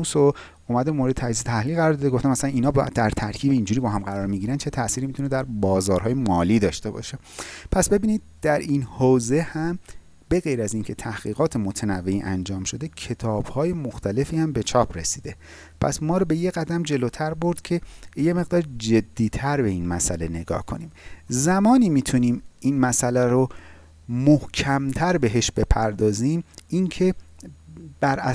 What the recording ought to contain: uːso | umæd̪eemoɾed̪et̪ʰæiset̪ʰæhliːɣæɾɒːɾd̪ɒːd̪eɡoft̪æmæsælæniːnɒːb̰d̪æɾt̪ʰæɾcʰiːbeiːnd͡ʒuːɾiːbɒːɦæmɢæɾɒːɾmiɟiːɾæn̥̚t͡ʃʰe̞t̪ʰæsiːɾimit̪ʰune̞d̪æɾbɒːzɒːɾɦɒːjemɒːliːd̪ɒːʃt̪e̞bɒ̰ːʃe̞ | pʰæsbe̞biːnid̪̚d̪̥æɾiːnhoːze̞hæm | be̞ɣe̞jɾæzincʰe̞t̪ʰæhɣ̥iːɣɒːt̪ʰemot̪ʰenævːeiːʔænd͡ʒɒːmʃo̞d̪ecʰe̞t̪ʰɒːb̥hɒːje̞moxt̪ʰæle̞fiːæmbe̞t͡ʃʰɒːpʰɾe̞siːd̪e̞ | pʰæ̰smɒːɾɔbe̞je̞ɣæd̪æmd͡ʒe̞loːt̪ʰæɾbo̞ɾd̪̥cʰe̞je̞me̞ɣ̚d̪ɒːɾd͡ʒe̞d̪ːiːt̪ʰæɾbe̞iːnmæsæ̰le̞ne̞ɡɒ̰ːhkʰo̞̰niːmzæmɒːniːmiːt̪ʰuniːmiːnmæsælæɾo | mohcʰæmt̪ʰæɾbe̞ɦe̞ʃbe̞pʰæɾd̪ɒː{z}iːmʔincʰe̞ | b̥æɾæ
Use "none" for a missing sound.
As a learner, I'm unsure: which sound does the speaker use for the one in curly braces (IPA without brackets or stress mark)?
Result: z